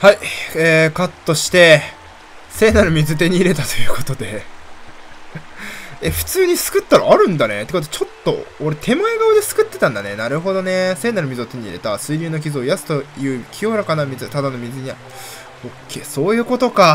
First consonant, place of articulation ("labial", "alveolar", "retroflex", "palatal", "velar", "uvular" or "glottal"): glottal